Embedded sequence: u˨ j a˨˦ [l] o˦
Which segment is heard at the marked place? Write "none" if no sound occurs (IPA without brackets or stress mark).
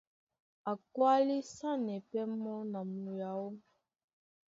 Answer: none